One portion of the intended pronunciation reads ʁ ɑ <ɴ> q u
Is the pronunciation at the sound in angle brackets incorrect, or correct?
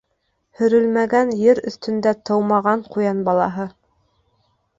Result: correct